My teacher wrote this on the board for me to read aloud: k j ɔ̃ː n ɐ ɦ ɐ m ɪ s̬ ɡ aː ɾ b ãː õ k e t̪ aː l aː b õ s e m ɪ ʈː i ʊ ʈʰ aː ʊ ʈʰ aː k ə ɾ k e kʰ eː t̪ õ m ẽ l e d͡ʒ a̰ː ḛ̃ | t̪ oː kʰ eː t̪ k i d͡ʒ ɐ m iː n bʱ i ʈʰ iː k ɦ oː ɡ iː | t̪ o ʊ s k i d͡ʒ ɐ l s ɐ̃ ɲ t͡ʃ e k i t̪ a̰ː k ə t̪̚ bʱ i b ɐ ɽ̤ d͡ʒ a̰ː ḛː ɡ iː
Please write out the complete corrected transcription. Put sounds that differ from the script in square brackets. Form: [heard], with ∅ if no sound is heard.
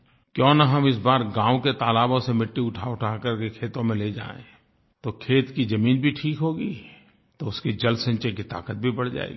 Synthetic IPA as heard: k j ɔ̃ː n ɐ ɦ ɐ m ɪ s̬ [b] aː ɾ [ɡ] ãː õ k e t̪ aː l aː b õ s e m ɪ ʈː i ʊ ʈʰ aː ʊ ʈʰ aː k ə ɾ k e kʰ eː t̪ õ m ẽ l e d͡ʒ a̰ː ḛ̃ | t̪ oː kʰ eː t̪ k i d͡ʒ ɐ m iː n bʱ i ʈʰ iː k ɦ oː ɡ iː | t̪ o ʊ s k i d͡ʒ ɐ l s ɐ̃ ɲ t͡ʃ e k i t̪ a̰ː k ə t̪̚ bʱ i b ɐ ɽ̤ d͡ʒ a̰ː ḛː ɡ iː